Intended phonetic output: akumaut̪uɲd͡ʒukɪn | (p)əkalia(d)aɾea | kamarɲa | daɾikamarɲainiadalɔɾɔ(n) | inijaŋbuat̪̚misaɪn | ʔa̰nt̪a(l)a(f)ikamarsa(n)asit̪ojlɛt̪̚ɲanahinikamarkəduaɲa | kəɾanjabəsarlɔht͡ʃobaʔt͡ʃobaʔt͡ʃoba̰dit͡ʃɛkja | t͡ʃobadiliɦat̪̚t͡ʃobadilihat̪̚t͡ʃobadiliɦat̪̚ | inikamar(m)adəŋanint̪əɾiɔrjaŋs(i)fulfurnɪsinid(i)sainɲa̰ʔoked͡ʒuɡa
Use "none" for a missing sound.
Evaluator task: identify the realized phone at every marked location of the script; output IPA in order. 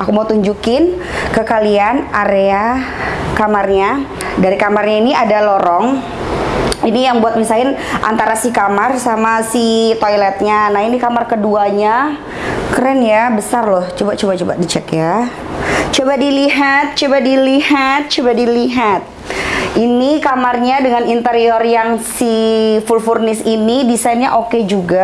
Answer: k, n, ŋ, ɾ, s, m, ɲ, i, i

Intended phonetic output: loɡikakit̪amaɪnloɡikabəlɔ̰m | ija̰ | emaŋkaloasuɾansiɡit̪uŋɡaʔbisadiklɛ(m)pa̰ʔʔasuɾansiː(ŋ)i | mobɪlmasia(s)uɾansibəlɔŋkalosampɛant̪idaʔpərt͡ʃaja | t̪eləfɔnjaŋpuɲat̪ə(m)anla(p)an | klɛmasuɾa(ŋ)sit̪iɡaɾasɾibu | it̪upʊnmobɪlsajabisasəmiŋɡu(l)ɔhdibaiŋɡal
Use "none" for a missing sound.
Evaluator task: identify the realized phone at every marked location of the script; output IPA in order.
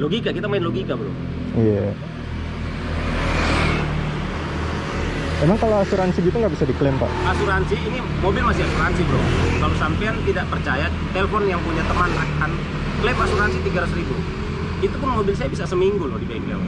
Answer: m, n, s, m, k, n, l

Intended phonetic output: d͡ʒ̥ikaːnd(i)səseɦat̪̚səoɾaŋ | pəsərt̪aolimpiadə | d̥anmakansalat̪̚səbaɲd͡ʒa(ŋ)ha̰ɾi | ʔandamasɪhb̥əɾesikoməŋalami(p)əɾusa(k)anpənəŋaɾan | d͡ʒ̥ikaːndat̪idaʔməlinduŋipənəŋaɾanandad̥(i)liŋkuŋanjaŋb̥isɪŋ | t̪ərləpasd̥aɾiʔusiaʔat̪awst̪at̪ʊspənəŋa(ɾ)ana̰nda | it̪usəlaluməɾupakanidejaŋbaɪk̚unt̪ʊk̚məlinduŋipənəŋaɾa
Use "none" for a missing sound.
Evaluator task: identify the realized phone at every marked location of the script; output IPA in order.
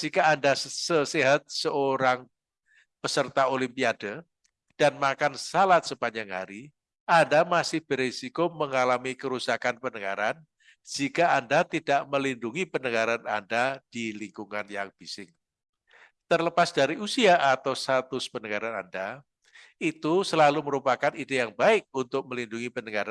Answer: a, ŋ, k, k, i, ɾ

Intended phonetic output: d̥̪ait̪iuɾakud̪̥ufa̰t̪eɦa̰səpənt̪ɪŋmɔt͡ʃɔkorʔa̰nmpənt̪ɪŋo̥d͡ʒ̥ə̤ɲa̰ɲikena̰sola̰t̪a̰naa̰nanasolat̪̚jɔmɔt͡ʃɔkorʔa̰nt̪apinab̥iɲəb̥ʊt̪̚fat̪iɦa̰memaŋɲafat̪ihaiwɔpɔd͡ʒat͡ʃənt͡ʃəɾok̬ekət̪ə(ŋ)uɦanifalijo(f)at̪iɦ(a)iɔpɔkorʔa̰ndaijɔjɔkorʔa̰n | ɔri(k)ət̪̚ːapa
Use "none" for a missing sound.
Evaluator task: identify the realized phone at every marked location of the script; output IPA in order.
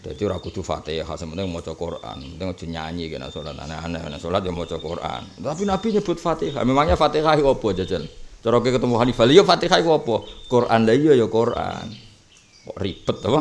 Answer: m, f, a, p

